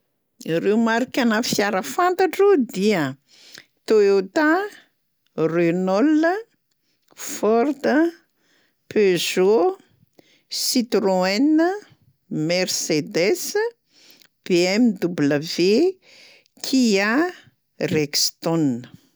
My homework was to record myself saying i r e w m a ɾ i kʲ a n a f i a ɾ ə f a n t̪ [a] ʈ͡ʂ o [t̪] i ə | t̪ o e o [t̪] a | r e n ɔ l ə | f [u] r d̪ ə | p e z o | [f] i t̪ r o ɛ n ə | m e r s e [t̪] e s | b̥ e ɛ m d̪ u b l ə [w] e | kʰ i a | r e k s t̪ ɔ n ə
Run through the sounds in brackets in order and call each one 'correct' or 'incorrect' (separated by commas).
correct, incorrect, correct, incorrect, incorrect, incorrect, incorrect